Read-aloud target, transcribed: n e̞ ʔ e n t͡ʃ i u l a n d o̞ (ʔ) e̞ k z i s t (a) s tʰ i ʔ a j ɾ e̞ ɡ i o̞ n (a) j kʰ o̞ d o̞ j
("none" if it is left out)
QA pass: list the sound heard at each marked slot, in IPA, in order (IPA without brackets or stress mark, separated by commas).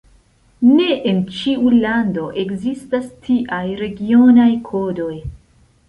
ʔ, a, a